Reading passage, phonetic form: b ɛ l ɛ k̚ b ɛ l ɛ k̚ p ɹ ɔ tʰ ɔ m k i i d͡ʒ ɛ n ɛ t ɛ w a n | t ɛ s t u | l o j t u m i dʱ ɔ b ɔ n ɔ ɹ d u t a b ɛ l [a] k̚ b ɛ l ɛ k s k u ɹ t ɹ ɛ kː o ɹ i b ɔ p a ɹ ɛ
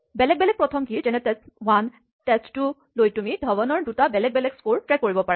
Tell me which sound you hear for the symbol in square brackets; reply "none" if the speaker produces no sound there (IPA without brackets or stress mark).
ɛ